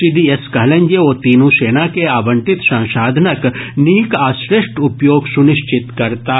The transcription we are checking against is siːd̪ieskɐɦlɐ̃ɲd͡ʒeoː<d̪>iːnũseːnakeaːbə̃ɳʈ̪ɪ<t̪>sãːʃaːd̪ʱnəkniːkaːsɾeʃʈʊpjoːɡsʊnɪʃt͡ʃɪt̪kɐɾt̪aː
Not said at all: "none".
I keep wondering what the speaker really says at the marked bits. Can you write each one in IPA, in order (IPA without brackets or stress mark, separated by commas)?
t̪, t̪